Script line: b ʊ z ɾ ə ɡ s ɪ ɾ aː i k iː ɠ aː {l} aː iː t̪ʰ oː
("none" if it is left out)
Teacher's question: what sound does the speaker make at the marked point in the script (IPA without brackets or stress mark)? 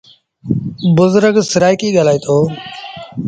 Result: l